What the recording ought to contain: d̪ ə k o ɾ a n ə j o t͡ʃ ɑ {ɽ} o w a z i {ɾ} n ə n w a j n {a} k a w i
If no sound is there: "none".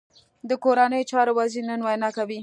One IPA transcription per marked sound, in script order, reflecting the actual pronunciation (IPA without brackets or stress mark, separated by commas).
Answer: ɾ, ɾ, ɑ